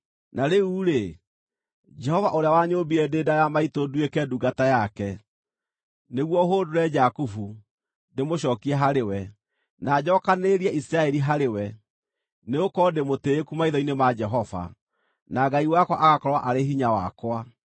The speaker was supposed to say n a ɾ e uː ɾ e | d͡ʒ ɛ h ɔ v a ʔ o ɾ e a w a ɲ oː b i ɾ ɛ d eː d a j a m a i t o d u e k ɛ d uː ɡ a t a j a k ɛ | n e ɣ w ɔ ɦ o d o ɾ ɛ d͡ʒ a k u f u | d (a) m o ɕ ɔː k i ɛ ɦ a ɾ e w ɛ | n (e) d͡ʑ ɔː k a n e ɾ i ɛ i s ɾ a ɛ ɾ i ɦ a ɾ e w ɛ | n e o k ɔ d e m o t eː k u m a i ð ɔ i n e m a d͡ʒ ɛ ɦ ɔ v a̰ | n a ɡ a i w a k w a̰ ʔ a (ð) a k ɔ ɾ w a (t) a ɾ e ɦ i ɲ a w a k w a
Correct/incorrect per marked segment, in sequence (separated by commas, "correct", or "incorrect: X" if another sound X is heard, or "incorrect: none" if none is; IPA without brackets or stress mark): incorrect: e, incorrect: a, incorrect: ɣ, incorrect: ʔ